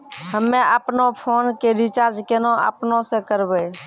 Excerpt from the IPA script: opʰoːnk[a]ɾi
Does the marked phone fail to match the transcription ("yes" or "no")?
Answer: yes